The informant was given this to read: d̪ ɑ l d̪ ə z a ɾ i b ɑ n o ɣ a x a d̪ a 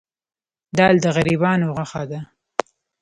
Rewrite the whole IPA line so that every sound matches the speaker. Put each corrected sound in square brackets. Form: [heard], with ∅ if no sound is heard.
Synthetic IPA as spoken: d̪ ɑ l d̪ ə [ɣ] a ɾ i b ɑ n o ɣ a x a d̪ a